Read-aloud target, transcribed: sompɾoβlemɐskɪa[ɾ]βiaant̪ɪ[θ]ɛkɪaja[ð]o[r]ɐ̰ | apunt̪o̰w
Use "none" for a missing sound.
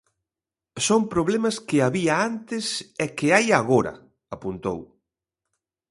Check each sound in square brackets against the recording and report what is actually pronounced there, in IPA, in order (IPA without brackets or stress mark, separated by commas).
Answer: none, s, ɣ, ɾ